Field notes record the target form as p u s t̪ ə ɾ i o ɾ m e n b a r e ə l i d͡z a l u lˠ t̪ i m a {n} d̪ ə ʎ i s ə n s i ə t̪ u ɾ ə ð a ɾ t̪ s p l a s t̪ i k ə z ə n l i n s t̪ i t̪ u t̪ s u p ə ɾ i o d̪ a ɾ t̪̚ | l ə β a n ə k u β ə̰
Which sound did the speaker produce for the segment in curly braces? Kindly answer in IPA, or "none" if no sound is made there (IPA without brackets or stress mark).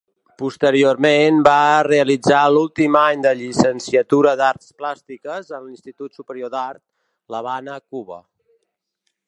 ɲ